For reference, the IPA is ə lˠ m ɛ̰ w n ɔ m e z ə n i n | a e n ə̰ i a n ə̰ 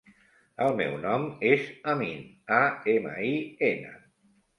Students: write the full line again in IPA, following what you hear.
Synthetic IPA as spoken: ə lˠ m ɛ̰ w n ɔ m e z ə m i n | a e m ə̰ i e n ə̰